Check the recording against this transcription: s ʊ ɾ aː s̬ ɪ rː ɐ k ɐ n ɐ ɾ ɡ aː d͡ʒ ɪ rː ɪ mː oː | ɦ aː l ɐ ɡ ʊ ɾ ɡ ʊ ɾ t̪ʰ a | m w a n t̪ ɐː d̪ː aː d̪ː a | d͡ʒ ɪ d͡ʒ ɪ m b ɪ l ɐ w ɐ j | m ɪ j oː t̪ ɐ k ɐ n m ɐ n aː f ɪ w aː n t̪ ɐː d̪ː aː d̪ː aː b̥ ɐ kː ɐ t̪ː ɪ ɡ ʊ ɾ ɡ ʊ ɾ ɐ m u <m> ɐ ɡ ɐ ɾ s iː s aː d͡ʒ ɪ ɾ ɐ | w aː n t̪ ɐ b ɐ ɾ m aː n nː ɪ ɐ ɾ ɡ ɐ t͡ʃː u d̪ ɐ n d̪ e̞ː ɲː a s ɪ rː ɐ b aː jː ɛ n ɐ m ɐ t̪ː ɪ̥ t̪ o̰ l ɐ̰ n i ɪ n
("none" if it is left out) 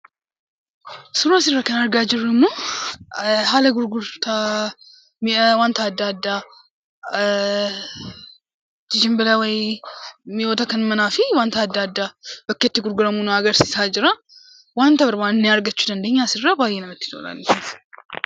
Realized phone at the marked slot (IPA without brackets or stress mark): n